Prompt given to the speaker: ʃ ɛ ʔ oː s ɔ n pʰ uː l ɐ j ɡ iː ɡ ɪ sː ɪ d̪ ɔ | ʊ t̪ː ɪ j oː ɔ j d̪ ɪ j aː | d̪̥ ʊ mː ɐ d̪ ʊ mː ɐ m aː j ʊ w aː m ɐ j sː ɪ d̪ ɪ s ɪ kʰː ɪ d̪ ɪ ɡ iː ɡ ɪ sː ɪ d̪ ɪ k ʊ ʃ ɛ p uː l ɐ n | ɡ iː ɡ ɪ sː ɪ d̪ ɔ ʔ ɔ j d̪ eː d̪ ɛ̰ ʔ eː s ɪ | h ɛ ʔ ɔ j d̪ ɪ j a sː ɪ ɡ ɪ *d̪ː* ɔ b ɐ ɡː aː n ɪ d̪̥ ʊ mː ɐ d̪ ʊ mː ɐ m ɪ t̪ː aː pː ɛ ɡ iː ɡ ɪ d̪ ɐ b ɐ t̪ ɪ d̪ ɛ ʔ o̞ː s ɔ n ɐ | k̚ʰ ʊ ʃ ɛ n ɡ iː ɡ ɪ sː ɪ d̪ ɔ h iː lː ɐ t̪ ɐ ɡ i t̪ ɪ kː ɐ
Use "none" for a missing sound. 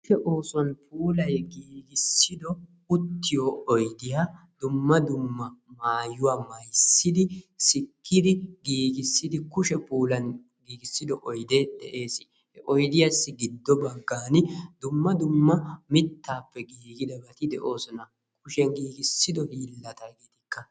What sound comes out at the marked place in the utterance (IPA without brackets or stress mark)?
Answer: d̪ː